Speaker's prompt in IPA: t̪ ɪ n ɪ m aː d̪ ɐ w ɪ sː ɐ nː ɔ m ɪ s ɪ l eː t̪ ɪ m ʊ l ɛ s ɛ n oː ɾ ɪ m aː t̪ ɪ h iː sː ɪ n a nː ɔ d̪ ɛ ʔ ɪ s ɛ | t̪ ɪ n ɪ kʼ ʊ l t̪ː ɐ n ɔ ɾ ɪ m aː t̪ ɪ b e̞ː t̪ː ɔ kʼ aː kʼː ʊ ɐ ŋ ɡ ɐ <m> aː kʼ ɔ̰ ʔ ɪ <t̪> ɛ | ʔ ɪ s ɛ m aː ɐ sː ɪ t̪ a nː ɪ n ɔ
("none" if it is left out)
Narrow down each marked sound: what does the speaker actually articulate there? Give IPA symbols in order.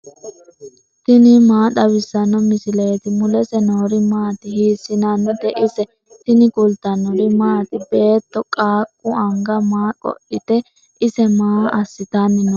m, t̪

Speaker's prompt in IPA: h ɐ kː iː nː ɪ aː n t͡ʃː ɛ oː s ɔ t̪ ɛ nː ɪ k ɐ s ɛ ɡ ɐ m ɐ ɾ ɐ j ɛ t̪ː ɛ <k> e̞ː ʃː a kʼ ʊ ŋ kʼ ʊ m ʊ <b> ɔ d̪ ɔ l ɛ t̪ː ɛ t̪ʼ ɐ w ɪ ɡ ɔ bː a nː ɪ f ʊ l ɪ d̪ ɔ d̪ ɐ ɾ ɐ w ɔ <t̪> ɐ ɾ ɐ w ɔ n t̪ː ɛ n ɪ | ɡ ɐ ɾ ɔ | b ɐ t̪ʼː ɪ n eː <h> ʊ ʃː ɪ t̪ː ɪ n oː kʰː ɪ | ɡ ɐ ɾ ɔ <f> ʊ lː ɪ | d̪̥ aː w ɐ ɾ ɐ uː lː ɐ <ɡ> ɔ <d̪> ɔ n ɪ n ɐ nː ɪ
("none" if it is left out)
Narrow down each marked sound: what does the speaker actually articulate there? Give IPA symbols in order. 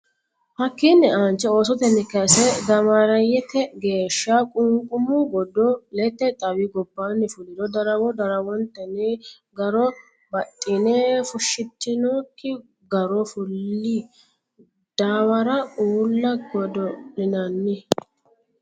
ɡ, ɡ, d̪, f, f, ɡ, d̪

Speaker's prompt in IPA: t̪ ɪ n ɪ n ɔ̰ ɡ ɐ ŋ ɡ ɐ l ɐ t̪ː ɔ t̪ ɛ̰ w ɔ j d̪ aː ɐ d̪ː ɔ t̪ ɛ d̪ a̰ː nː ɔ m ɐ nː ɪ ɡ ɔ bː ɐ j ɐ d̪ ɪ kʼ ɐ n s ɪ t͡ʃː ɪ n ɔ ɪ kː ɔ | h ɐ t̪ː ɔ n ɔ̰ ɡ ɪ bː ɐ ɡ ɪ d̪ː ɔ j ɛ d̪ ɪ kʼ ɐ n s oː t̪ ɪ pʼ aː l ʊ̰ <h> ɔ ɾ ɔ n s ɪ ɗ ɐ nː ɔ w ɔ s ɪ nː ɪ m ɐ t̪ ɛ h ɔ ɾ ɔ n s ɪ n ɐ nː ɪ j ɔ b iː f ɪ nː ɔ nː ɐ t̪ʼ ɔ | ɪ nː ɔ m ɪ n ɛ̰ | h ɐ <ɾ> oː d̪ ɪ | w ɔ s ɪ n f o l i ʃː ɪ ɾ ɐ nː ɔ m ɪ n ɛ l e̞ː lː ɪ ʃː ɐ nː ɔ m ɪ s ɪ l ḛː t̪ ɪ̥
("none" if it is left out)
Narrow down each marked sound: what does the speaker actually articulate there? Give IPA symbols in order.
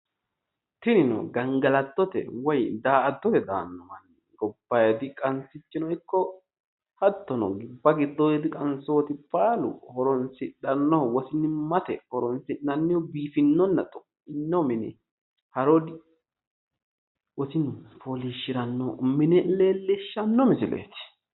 h, ɾ

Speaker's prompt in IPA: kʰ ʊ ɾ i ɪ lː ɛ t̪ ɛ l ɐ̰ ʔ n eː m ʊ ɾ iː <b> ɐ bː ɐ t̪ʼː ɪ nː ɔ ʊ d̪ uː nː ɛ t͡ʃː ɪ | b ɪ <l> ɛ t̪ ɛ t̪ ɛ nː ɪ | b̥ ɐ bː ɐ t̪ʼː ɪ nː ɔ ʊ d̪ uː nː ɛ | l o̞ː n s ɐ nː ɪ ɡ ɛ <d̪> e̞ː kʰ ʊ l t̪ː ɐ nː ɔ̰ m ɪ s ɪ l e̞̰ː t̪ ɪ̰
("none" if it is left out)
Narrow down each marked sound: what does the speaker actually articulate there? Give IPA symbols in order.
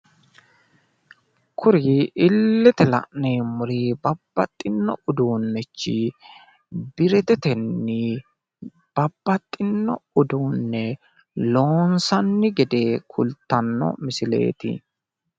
b, ɾ, d̪

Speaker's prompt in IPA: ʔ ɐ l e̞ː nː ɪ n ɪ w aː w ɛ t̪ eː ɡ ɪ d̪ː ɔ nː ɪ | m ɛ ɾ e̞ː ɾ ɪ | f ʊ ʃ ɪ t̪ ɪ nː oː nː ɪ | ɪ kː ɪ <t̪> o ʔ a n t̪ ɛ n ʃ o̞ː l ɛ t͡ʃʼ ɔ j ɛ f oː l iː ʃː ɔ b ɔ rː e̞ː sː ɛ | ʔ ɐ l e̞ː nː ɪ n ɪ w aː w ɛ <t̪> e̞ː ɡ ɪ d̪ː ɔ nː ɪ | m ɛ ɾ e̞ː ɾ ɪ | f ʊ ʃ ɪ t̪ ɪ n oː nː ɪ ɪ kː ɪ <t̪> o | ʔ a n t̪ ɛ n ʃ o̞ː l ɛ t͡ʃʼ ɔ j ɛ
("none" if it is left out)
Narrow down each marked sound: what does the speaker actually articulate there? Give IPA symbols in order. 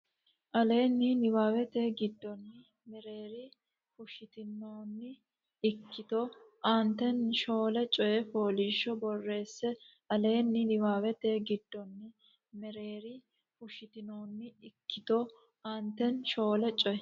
t̪, t̪, t̪

